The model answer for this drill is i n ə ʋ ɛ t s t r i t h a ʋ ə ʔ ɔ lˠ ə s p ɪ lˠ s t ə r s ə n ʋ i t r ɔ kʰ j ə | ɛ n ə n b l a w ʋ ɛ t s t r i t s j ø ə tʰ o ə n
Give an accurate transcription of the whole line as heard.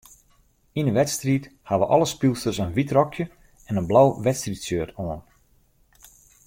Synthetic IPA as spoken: i n ə ʋ ɛ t s t r i t h a ʋ ə ʔ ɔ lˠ ə s p i lˠ s t ə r s ə n ʋ i t r ɔ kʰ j ə | ɛ n ə n b l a w ʋ ɛ t s t r i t s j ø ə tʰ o ə n